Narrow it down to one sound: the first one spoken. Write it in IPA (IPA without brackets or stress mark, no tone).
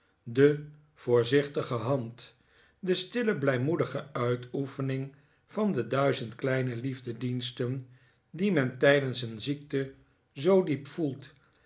d